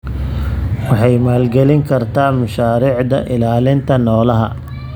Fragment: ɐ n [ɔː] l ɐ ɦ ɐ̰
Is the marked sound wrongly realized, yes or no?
no